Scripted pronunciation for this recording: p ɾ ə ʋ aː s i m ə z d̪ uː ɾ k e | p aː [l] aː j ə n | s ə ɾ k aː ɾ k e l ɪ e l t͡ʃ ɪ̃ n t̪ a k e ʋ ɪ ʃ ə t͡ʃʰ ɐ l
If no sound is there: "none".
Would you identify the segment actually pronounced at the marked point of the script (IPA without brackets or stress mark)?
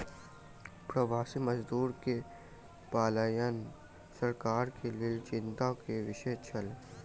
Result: l